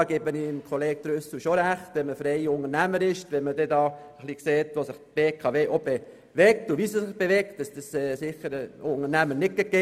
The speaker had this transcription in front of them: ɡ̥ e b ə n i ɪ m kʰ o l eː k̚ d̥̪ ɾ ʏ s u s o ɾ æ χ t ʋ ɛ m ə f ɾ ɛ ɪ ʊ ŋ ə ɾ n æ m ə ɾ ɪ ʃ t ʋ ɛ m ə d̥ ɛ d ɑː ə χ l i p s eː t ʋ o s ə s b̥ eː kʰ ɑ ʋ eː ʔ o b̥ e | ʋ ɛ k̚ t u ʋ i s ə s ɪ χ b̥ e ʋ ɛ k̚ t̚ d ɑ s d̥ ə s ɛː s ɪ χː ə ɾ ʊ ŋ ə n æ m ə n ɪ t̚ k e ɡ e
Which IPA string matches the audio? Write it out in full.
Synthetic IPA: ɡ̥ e b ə n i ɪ m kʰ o l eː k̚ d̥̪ ɾ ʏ s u ʃ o ɾ æ χ t ʋ ɛ m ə f ɾ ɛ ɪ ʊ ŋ ə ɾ n æ m ə ɾ ɪ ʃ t ʋ ɛ m ə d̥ ɛ d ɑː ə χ l i k s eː t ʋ o s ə χ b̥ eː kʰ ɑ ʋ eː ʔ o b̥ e | ʋ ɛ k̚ t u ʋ i s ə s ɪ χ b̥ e ʋ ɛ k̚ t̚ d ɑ s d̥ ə s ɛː s ɪ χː ə ɾ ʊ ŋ ə n æ m ə n ɪ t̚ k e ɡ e